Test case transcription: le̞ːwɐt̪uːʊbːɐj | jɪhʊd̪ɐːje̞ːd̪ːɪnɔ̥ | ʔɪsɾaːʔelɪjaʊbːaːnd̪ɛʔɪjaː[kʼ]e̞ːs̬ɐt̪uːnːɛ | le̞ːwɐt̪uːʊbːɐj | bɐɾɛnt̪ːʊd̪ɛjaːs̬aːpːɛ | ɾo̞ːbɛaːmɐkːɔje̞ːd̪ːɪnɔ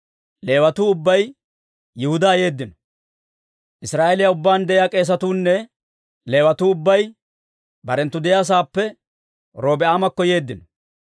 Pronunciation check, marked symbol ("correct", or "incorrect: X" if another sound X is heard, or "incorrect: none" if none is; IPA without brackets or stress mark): correct